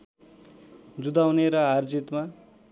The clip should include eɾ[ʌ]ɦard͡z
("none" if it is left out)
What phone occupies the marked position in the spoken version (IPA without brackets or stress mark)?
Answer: ʌ